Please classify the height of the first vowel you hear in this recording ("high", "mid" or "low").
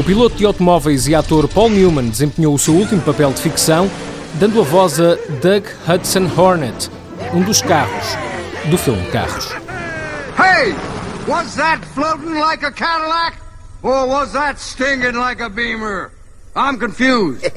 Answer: high